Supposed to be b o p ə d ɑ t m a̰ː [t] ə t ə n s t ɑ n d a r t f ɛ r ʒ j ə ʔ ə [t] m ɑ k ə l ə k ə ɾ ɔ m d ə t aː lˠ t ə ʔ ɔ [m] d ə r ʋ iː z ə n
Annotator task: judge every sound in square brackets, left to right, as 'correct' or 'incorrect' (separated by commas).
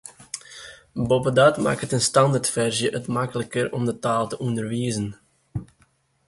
incorrect, correct, incorrect